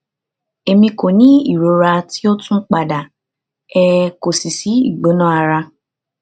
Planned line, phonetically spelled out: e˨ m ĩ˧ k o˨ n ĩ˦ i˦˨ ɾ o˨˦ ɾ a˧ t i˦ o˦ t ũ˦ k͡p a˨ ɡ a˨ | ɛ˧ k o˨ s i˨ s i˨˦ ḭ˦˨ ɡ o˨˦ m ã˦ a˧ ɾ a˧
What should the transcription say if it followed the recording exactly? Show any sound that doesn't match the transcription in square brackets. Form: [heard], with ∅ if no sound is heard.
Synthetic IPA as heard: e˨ m ĩ˧ k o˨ n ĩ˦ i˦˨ ɾ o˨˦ ɾ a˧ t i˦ o˦ t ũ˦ k͡p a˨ [d] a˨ | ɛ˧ k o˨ s i˨ s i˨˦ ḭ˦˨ [ɡ͡b] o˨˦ [n] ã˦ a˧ ɾ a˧